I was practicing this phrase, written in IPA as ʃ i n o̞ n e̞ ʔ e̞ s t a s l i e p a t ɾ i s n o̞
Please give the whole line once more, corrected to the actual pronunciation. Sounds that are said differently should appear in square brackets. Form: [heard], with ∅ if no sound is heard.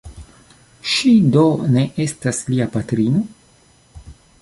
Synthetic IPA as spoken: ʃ i [d] o̞ n e̞ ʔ e̞ s t a s l i [a] p a t ɾ i [∅] n o̞